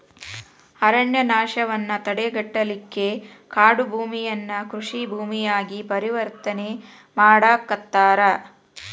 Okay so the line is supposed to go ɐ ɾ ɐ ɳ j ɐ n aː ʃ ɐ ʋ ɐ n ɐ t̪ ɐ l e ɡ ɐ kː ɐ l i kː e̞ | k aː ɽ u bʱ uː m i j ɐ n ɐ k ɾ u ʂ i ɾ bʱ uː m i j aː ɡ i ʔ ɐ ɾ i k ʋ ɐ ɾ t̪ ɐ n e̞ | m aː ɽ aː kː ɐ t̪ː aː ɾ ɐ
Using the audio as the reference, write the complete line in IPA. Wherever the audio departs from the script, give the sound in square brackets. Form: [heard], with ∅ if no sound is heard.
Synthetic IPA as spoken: ɐ ɾ ɐ ɳ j ɐ n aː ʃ ɐ ʋ ɐ [nː] ɐ t̪ ɐ [ɽ] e ɡ ɐ [ʈː] ɐ l i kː e̞ | k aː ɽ u bʱ uː m i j ɐ [nː] ɐ k ɾ u ʂ i [∅] bʱ uː m i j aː ɡ i [p] ɐ ɾ i [∅] ʋ ɐ ɾ t̪ ɐ n e̞ | m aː ɽ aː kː ɐ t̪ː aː ɾ ɐ